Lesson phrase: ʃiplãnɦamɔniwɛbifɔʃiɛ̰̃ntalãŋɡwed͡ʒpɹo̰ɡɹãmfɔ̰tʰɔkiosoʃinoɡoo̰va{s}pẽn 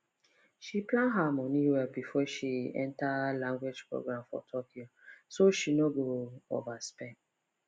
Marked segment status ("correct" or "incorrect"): correct